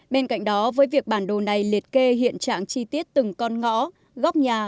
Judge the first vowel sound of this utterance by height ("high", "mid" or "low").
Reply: mid